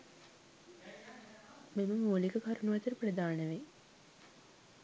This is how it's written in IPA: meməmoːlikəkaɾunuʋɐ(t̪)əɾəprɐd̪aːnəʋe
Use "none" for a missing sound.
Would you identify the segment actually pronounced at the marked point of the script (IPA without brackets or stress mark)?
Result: t̪